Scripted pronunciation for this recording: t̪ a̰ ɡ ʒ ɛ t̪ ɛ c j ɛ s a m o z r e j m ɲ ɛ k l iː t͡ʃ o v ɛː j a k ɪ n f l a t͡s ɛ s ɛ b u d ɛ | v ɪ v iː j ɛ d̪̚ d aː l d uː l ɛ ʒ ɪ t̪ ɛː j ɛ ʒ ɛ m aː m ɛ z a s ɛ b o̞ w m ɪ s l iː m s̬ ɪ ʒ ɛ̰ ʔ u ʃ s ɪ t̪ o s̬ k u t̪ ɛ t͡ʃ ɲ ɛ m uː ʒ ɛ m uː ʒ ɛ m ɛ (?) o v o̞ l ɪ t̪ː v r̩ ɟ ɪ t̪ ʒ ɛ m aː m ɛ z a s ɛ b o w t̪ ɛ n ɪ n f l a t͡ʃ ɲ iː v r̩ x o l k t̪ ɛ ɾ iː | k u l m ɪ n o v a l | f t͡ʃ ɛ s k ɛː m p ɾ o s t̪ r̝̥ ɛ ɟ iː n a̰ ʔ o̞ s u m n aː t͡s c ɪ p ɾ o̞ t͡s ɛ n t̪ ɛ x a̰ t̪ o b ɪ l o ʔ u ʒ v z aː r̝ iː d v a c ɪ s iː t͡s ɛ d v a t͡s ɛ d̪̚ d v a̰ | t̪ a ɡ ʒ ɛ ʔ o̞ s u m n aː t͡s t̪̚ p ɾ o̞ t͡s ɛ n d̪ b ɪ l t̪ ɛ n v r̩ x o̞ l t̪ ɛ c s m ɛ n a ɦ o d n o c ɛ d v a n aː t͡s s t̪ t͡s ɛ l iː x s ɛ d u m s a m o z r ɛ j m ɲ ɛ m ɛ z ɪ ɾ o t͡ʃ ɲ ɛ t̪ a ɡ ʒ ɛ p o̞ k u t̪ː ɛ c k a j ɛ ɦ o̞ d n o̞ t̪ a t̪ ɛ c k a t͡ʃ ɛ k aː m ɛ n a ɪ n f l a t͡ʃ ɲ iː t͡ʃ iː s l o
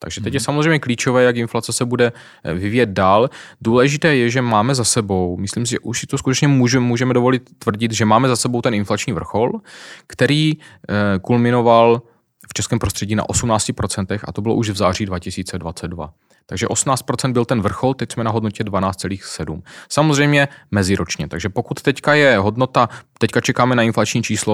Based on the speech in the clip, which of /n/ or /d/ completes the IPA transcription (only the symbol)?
d